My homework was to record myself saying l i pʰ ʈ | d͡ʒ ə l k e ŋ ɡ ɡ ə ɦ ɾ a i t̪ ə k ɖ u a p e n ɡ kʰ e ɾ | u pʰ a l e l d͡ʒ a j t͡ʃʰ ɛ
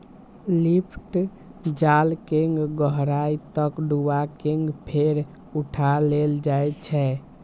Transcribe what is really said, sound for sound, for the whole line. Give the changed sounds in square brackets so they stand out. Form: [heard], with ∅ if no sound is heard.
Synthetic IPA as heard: l i pʰ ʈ | d͡ʒ [a] l k e ŋ ɡ ɡ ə ɦ ɾ a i t̪ ə k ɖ u a [k] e [ŋ] ɡ [pʰ] e ɾ | u [ʈʰ] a l e l d͡ʒ a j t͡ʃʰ ɛ